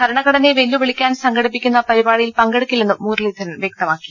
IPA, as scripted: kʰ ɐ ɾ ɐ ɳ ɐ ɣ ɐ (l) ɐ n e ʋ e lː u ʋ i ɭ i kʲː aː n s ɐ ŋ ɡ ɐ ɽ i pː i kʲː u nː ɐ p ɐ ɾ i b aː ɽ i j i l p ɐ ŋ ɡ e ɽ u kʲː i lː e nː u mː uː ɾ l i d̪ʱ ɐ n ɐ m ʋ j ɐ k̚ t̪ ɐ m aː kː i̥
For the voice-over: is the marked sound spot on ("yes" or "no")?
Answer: no